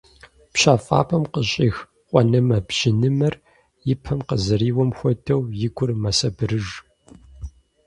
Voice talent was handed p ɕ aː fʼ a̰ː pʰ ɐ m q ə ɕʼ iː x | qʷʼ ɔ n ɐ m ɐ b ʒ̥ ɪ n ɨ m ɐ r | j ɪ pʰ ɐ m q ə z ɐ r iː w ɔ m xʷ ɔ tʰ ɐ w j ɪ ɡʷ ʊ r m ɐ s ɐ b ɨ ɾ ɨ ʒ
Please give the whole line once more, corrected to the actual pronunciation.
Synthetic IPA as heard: p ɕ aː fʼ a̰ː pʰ ɐ m q ə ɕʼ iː x | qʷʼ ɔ n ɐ m ɐ b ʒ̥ ɪ n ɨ m ɐ r | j ɪ pʰ ɐ m q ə z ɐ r iː w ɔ m xʷ ɔ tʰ ɐ w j ɪ ɡʷ ʊ r m ɐ s ɐ b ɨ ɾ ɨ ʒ